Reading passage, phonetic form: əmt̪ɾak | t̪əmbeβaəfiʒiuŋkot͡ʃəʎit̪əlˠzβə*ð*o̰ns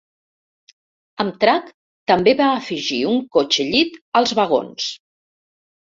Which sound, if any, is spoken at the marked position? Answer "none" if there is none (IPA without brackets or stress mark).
ɣ